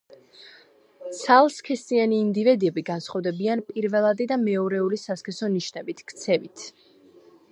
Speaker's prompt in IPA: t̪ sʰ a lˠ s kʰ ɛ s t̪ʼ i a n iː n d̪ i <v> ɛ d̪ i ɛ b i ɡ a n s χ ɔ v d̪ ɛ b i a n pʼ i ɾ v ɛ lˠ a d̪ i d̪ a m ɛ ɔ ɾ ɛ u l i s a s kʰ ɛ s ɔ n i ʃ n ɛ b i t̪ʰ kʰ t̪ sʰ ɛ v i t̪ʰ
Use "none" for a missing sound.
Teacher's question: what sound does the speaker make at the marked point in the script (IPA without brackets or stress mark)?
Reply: v